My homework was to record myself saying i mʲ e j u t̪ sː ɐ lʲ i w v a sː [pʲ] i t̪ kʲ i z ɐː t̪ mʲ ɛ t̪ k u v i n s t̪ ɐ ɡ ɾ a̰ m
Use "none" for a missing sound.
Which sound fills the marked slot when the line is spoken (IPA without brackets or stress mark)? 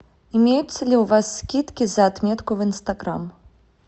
kʲ